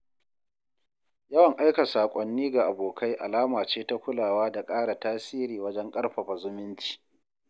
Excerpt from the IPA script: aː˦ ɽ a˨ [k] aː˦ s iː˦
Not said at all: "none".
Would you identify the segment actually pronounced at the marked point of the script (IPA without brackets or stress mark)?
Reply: t